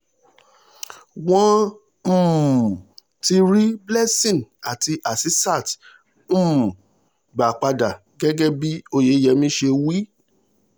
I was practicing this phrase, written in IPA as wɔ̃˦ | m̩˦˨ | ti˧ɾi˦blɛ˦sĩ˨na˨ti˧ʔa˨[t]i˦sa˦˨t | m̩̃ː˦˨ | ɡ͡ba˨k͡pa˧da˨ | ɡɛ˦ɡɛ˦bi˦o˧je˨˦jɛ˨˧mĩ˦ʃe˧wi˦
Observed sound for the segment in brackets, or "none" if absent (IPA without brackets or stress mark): s